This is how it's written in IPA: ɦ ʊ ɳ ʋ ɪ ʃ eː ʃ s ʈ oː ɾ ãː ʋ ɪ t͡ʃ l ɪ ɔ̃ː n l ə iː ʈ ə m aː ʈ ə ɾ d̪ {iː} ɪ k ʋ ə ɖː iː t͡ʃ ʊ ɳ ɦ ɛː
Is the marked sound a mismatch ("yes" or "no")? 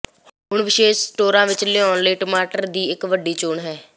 no